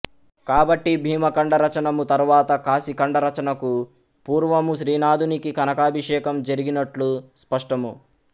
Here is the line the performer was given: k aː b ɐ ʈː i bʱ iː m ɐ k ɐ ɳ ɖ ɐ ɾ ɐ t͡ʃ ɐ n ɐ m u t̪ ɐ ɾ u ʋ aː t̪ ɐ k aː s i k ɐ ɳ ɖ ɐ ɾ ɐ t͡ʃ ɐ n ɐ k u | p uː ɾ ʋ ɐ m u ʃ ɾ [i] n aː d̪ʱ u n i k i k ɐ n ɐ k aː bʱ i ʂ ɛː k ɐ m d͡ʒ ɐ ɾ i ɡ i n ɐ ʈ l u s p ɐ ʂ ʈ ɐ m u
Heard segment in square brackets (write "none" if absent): iː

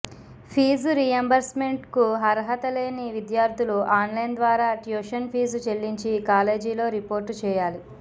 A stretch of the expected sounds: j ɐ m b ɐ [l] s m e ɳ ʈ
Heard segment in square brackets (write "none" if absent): ɾ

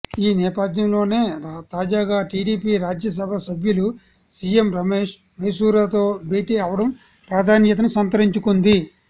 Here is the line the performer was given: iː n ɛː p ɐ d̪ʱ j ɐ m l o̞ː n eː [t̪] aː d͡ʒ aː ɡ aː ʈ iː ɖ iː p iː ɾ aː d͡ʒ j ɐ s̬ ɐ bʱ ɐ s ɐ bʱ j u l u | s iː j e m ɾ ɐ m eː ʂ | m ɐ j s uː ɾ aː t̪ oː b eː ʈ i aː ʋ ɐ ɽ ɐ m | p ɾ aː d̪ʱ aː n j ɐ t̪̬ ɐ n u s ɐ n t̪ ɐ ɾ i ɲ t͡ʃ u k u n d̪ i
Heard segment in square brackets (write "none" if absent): t̪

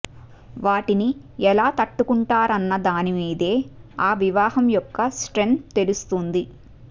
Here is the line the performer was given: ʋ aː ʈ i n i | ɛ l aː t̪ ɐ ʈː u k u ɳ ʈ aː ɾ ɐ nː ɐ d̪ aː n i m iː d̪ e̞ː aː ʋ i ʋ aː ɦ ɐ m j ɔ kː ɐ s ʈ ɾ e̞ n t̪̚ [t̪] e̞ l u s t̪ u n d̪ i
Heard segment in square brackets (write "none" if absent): t̪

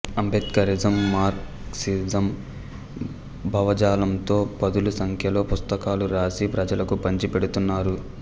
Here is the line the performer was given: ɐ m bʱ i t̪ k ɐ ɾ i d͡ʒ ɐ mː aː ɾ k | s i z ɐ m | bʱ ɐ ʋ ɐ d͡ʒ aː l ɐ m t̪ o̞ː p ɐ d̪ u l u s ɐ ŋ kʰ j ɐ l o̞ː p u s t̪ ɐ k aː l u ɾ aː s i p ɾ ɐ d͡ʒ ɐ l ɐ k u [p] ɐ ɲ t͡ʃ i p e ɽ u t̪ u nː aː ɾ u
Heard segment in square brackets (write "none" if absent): p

